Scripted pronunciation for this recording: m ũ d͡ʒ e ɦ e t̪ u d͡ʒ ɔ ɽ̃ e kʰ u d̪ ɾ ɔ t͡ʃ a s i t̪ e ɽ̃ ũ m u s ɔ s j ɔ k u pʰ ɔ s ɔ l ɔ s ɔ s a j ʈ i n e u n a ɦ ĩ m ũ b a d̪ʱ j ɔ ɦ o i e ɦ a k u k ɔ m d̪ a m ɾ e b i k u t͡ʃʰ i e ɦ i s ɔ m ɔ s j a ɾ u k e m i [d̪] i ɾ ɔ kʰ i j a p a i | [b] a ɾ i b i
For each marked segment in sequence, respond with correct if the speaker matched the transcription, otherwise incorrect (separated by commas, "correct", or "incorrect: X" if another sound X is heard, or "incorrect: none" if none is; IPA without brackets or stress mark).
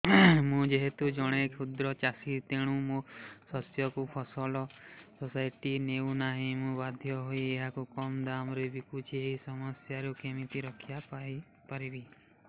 incorrect: t̪, incorrect: p